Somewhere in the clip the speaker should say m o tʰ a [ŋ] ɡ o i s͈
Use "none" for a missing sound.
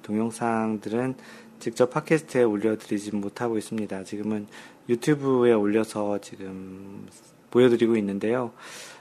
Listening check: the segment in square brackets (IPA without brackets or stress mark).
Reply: none